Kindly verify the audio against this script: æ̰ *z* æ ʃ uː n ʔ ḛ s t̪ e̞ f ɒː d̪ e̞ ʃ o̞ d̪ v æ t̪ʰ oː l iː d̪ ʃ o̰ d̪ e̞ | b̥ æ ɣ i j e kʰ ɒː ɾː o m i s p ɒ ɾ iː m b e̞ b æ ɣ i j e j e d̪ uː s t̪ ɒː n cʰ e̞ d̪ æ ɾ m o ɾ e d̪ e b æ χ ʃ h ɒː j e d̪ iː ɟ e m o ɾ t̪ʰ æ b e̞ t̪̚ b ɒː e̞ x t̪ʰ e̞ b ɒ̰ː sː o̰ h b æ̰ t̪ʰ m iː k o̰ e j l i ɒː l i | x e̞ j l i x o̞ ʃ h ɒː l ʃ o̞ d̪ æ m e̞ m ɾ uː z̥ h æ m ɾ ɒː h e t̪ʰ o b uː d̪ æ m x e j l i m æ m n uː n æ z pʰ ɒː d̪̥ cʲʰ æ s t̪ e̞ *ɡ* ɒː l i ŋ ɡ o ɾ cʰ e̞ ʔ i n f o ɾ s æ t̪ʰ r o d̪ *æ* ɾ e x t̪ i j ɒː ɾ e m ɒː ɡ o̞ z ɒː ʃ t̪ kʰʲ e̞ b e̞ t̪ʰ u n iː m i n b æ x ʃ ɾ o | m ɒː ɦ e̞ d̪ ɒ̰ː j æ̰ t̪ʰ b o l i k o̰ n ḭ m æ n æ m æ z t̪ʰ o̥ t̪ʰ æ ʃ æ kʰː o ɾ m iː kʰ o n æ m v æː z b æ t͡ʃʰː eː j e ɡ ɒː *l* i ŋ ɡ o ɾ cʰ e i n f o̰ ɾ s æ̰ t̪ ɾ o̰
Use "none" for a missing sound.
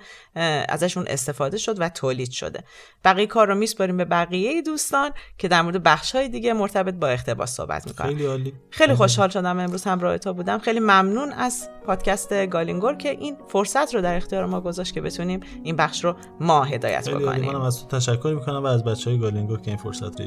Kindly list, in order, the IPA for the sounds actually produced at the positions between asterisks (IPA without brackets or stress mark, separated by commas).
z, ɡ, æ, l